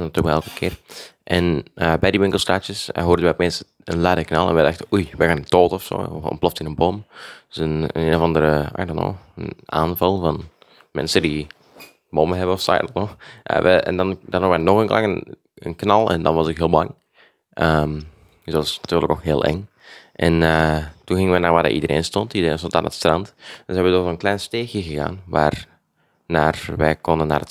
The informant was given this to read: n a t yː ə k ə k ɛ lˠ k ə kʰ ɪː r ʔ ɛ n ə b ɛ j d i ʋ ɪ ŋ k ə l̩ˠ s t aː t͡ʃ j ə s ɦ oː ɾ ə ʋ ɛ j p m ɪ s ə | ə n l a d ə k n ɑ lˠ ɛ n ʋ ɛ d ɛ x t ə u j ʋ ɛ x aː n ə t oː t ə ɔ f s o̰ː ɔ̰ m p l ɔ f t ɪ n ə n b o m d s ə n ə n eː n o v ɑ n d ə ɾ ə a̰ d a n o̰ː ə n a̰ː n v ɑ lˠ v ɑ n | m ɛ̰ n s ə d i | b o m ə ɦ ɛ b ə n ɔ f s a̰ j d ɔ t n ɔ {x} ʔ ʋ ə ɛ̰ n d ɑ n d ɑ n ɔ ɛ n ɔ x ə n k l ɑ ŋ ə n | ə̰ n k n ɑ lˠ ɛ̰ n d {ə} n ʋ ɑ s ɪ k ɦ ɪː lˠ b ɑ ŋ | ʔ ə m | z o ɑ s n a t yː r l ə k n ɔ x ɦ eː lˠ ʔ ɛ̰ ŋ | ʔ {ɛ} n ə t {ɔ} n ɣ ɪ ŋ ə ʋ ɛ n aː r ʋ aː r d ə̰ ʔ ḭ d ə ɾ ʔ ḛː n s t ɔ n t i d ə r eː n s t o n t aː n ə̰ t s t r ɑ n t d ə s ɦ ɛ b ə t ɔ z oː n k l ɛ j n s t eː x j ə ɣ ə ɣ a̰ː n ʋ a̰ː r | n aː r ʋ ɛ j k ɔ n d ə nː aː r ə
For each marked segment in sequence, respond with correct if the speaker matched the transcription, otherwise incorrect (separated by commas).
correct, incorrect, correct, incorrect